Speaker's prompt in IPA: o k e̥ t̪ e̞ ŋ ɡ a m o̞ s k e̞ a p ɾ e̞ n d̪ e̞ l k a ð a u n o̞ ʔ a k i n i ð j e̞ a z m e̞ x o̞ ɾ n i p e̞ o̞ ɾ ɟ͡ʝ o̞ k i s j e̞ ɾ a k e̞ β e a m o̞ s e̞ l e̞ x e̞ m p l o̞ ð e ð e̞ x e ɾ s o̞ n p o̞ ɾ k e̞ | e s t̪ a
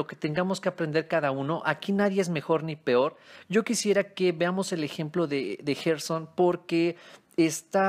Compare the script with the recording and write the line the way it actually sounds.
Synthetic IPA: o k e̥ t̪ e̞ ŋ ɡ a m o̞ s k e̞ a p ɾ e̞ n d̪ e̞ ɾ k a ð a u n o̞ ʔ a k i n a ð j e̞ e z m e̞ x o̞ ɾ n i p e̞ o̞ ɾ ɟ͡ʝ o̞ k i s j e̞ ɾ a k e̞ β e a m o̞ s e̞ l e̞ x e̞ m p l o̞ ð e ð e̞ x e ɾ s o̞ n p o̞ ɾ k e̞ | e s t̪ a

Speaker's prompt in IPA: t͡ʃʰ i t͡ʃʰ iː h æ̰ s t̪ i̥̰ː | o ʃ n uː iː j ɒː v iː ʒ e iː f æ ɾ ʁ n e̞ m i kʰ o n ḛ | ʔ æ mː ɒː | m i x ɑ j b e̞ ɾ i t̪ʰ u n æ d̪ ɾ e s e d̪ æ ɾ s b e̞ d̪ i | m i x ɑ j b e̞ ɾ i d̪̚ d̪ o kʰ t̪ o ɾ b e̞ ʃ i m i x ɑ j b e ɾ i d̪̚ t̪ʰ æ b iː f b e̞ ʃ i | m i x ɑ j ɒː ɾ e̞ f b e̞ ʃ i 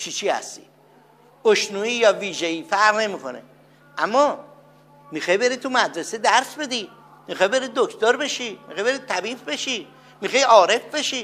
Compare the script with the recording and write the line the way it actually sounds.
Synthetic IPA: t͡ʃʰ i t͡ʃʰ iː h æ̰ s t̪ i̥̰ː | o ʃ n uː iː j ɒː v iː ʒ e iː f æ ɾ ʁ n e̞ m i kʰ o n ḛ | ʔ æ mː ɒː | m i x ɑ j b e̞ ɾ i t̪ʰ u m æ d̪ ɾ e s e d̪ æ ɾ s b e̞ d̪ i | m i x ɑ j b e̞ ɾ i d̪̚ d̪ o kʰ t̪ o ɾ b e̞ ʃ i m i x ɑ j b e ɾ i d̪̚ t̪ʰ æ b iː f b e̞ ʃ i | m i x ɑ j ɒː ɾ e̞ f b e̞ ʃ i

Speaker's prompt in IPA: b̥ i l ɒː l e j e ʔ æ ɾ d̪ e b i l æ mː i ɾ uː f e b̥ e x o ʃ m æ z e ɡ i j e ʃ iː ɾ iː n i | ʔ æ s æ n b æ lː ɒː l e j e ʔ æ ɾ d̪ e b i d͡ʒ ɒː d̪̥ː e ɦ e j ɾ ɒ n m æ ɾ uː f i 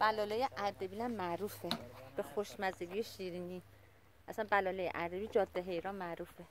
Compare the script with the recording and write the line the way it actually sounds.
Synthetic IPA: b̥ æ l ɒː l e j e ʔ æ ɾ d̪ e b i l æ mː æ ɾ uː f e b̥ e x o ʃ m æ z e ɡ i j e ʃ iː ɾ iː n i | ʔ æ s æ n b æ l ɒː l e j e ʔ æ ɾ d̪ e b i d͡ʒ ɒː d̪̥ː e ɦ e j ɾ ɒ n m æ ɾ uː f e

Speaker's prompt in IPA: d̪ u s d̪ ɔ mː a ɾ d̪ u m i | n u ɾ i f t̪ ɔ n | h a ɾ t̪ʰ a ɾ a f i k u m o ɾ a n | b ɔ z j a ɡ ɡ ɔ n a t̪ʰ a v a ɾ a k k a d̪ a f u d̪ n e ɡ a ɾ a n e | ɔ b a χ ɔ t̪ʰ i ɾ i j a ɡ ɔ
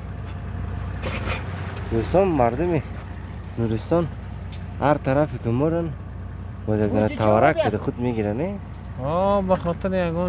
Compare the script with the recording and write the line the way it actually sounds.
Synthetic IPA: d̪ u s t̪ ɔ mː a ɾ d̪ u m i | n u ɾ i s t̪ ɔ n | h a ɾ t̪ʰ a ɾ a f i k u m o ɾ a n | b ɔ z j a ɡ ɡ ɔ n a t̪ʰ a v a ɾ a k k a d̪ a χ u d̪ m e ɡ i ɾ a n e | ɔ b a χ ɔ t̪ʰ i ɾ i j a ɡ ɔ

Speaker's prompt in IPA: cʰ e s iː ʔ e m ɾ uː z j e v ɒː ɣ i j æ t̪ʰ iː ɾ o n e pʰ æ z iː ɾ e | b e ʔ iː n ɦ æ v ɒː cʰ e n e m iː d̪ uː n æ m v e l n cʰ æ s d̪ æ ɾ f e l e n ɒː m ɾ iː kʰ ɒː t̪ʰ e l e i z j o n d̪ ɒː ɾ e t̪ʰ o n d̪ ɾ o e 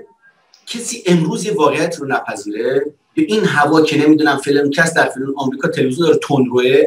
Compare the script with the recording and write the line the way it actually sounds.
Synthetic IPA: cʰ e s iː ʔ e m ɾ uː z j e v ɒː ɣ e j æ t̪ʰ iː ɾ o n æ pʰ æ z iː ɾ e | b e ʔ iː n ɦ æ v ɒː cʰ e n e m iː d̪ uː n æ m f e l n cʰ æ s d̪ æ ɾ f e l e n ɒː m ɾ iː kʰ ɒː t̪ʰ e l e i z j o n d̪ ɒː ɾ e t̪ʰ o n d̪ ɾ o e

